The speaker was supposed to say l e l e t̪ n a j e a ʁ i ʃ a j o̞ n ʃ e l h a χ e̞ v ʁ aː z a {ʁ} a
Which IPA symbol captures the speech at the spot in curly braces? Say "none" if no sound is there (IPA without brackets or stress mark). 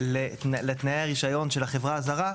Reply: ʁ